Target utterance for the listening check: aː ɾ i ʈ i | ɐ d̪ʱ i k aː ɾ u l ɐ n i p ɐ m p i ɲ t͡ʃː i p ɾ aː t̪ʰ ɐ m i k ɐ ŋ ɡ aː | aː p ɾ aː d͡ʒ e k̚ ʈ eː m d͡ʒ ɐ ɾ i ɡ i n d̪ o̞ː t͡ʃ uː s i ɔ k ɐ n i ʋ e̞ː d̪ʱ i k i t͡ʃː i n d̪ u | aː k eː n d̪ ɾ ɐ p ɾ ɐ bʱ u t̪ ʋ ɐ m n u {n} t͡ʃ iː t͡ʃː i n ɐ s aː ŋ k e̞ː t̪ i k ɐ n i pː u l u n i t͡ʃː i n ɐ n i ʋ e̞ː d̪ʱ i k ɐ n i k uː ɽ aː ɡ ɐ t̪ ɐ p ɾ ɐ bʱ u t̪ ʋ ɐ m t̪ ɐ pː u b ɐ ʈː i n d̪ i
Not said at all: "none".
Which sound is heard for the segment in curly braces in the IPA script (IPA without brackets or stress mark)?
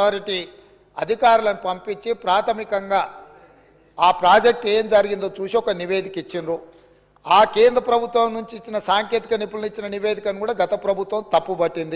ɲ